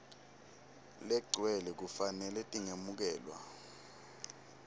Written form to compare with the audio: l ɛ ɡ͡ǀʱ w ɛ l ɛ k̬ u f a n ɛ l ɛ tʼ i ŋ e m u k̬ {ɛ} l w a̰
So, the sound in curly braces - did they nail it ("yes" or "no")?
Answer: no